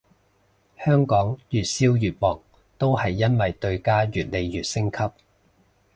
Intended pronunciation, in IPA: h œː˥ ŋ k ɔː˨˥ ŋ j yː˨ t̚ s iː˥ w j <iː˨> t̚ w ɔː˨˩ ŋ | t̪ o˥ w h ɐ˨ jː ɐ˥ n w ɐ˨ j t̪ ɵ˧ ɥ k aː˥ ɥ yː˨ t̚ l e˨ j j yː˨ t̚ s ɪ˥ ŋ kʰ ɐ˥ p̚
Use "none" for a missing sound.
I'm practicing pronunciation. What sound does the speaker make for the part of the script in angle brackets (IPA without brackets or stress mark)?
yː˨